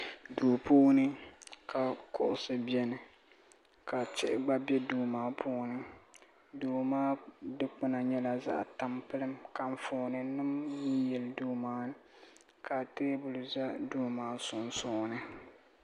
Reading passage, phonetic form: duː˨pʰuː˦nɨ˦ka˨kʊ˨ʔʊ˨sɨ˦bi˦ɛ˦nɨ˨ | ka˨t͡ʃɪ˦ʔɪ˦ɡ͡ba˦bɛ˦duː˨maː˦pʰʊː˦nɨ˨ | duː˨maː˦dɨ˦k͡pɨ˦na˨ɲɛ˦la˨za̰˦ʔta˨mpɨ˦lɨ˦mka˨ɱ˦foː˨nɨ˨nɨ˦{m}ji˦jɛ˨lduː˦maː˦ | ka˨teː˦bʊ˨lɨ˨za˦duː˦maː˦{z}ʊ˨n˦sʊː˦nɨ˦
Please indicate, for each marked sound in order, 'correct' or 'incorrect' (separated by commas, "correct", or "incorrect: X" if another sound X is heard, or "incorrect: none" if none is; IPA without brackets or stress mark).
correct, incorrect: s